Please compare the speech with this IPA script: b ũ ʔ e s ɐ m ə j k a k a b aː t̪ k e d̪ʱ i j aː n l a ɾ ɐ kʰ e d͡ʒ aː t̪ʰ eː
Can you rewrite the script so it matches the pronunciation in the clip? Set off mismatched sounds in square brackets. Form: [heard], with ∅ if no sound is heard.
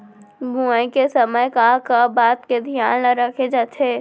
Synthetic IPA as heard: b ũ [k] e s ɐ m ə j k a k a b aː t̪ k e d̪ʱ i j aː n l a ɾ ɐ kʰ e d͡ʒ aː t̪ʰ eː